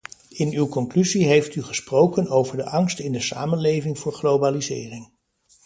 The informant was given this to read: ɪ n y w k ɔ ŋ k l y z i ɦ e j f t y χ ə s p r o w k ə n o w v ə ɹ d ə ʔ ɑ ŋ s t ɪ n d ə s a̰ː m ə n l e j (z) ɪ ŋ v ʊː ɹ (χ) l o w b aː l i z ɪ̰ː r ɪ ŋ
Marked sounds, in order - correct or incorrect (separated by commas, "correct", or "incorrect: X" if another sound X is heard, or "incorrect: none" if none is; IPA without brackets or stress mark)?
incorrect: v, correct